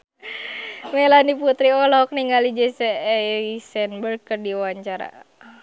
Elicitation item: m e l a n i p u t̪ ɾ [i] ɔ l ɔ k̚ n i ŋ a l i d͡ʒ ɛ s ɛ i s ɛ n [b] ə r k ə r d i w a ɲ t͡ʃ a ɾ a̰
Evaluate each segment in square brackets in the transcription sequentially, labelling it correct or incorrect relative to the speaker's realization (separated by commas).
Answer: correct, correct